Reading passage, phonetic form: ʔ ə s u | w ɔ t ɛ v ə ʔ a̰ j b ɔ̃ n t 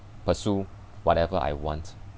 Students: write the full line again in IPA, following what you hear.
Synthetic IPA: p ə s u | w ɔ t ɛ v ə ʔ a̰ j w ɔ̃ n t